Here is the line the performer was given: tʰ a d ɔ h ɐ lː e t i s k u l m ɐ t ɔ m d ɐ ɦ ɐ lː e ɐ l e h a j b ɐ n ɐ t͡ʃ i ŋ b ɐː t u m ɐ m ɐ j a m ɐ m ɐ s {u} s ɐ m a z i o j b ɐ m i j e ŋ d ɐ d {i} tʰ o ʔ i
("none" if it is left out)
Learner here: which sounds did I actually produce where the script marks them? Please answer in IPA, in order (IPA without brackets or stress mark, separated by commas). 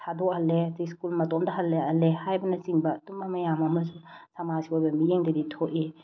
u, i